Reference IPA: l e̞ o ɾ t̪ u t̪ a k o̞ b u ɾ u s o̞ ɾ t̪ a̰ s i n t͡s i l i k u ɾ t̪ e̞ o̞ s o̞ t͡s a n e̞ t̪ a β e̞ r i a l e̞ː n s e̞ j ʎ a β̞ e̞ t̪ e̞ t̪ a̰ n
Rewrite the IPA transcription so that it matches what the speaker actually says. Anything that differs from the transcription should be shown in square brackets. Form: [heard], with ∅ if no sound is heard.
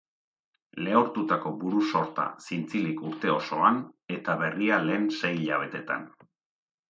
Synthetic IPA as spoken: l e̞ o ɾ t̪ u t̪ a k o̞ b u ɾ u s o̞ ɾ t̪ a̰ s i n t͡s i l i k u ɾ t̪ e̞ o̞ s o̞ [∅] a n e̞ t̪ a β e̞ r i a l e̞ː n s e̞ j ʎ a β̞ e̞ t̪ e̞ t̪ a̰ n